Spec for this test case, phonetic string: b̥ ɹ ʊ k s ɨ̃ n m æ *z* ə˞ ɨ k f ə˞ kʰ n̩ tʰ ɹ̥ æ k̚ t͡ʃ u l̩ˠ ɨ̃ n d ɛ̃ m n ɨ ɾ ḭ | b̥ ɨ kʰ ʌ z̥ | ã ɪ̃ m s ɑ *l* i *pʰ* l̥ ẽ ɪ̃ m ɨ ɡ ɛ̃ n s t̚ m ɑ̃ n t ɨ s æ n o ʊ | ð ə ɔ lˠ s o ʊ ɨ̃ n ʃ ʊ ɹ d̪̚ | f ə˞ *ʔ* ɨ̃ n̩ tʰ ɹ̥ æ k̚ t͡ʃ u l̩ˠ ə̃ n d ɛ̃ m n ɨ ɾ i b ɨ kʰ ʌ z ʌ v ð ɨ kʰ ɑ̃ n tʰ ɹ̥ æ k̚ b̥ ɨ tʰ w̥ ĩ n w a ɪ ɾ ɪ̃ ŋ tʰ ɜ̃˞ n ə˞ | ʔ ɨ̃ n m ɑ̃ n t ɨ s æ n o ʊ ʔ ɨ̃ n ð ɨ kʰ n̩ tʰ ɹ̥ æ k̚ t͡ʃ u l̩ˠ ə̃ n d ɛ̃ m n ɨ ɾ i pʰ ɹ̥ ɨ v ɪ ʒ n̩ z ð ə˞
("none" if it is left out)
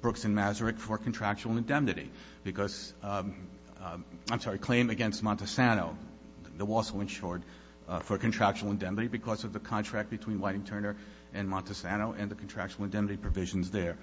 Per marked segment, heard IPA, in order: z, ɹ, kʰ, k

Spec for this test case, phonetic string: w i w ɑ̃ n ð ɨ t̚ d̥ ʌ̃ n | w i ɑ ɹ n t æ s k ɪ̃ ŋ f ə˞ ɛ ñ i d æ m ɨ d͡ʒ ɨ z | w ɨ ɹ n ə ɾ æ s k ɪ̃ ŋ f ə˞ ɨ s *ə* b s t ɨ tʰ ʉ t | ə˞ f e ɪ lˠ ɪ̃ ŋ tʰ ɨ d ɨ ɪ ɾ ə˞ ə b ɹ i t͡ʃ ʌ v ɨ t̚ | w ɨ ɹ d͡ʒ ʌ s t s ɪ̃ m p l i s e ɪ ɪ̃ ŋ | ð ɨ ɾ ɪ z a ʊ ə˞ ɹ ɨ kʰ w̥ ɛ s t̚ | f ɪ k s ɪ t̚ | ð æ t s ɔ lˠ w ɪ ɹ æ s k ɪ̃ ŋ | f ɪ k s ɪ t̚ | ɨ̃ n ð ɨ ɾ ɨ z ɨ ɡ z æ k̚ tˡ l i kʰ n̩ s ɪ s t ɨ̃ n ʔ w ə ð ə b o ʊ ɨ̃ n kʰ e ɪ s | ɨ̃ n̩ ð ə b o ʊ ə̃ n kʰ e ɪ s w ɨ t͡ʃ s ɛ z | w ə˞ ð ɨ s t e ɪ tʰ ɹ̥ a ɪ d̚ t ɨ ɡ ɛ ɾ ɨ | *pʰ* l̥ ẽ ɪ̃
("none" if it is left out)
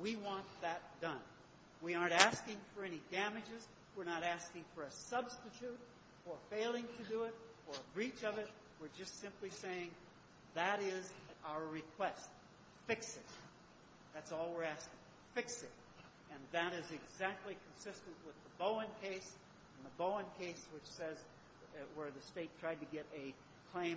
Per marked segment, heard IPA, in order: ʌ, kʰ

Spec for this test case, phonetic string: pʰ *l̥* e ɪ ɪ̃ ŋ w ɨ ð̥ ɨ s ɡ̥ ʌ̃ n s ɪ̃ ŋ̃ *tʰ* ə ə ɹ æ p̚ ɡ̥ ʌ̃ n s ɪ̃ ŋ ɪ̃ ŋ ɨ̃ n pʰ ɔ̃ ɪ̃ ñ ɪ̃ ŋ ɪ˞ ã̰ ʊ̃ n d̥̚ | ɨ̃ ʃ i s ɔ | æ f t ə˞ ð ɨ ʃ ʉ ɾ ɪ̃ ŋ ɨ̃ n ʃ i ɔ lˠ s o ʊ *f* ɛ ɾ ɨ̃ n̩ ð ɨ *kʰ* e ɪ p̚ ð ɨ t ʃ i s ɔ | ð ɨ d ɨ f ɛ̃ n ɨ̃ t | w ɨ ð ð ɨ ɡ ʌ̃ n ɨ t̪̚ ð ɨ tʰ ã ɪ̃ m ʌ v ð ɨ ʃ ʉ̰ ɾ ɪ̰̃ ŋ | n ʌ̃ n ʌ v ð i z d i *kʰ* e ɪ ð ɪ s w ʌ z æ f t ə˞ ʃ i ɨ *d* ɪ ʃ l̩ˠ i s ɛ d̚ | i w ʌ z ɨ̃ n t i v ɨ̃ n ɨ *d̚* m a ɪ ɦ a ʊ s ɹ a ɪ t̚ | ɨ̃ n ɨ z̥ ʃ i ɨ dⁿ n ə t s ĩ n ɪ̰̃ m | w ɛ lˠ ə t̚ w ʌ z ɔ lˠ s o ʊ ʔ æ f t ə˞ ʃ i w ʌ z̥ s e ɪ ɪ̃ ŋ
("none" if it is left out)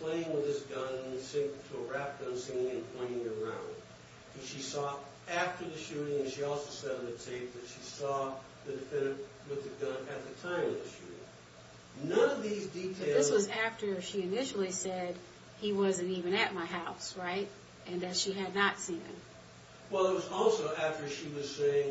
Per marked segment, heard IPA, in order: l̥, tʰ, s, tʰ, tʰ, n, t̚

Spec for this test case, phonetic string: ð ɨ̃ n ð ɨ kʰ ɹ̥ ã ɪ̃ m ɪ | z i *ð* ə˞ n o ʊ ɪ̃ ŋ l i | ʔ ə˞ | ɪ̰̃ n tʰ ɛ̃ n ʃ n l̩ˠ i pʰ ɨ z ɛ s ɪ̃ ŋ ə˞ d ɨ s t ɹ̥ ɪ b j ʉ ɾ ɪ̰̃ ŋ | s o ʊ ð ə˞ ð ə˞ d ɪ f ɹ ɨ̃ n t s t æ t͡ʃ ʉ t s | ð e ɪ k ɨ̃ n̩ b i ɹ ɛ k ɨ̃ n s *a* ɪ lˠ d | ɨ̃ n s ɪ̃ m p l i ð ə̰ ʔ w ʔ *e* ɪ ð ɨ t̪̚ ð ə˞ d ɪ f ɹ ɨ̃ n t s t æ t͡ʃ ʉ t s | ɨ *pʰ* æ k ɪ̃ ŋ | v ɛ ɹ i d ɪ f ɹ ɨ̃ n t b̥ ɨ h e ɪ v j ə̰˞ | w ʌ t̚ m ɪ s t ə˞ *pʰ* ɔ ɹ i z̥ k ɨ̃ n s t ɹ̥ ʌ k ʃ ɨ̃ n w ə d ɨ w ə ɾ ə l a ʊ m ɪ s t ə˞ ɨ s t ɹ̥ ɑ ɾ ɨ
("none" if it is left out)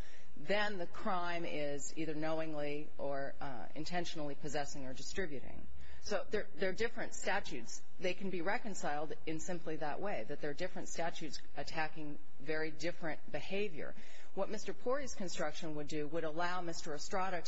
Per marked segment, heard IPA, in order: ð, a, e, tʰ, pʰ

